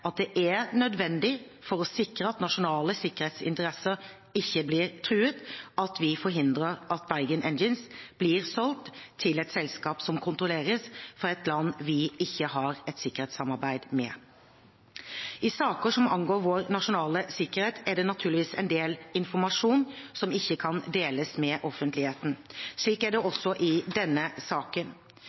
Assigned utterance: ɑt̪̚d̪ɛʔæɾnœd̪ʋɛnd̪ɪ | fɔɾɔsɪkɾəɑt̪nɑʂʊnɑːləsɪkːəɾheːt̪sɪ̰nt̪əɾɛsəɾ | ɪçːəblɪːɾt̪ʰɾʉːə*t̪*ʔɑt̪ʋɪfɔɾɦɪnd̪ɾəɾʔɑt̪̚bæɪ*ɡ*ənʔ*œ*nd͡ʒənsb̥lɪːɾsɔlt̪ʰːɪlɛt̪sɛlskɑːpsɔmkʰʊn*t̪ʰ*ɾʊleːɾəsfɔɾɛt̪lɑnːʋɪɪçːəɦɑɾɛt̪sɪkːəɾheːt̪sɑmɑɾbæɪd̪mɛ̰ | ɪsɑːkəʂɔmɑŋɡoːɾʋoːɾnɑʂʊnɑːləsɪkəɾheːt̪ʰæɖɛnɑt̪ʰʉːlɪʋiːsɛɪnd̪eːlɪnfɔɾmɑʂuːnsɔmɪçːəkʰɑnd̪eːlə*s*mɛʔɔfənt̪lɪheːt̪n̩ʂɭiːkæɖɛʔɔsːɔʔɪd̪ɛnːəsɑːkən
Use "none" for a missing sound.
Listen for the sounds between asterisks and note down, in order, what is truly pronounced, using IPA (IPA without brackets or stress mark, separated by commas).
t̪, ɡ, ɛ, t̪, s